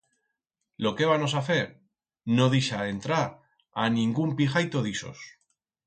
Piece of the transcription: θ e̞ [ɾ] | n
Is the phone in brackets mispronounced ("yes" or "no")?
no